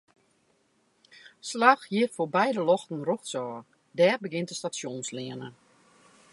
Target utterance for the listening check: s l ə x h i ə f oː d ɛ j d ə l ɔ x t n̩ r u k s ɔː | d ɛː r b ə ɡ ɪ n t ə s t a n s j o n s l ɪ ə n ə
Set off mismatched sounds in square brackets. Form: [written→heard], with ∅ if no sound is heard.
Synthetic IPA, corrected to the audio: s l [ə→a] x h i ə f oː [d→b] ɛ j d ə l ɔ x t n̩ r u [k→x] s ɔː | d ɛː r b ə ɡ ɪ n t ə s t a [n→∅] s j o n s l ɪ ə n ə

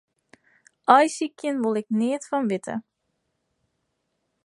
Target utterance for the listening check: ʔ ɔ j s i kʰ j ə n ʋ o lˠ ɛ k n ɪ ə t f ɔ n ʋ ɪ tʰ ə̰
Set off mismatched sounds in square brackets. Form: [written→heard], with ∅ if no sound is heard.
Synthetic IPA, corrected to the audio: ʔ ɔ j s i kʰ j ə n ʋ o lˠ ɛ k n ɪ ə t f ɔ n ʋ ɪ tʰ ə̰

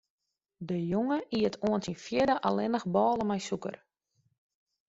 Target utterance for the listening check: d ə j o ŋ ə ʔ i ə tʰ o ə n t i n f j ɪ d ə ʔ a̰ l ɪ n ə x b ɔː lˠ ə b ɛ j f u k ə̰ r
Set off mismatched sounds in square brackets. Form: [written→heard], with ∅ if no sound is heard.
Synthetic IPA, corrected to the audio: d ə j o ŋ ə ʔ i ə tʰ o ə n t i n f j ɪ d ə ʔ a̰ l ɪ n ə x b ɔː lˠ ə [b→m] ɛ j [f→s] u k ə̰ r

